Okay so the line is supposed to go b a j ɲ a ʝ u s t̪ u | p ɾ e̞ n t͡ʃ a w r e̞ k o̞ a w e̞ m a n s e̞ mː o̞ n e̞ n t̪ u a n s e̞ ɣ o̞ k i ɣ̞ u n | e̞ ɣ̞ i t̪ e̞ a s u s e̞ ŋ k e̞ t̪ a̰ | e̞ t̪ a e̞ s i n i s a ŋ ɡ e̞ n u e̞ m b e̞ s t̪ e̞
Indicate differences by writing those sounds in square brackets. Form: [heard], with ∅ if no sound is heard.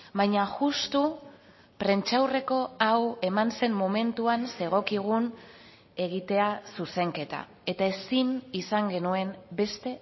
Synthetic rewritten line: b a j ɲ a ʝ u s t̪ u | p ɾ e̞ n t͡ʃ a w r e̞ k o̞ a w e̞ m a n s e̞ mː o̞ [m] e̞ n t̪ u a n s e̞ ɣ o̞ k i ɣ̞ u n | e̞ ɣ̞ i t̪ e̞ a s u s e̞ ŋ k e̞ t̪ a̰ | e̞ t̪ a e̞ s i n i s a ŋ ɡ e̞ n u e̞ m b e̞ s t̪ e̞